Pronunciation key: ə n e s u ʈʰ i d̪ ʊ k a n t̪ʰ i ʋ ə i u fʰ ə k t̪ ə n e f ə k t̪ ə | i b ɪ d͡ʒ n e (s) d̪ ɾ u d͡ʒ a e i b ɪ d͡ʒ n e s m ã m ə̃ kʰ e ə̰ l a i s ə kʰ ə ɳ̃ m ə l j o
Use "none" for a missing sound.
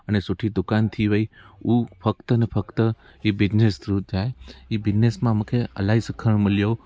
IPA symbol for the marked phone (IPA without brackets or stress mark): s